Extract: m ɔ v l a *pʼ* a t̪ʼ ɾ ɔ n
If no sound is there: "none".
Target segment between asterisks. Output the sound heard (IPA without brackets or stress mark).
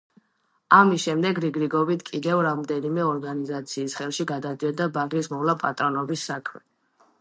pʼ